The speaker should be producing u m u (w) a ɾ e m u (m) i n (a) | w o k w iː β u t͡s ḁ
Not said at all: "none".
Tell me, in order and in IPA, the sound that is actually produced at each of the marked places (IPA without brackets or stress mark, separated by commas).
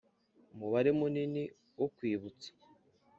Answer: β, n, i